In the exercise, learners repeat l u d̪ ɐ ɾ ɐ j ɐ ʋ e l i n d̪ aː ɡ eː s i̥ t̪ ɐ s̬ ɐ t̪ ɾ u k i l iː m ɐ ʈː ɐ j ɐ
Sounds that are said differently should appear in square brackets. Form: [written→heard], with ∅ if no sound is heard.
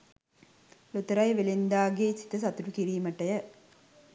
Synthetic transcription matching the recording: l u [d̪→t̪] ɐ ɾ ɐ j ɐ ʋ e l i n d̪ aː ɡ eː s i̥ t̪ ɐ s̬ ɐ t̪ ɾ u k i [l→ɾ] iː m ɐ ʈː ɐ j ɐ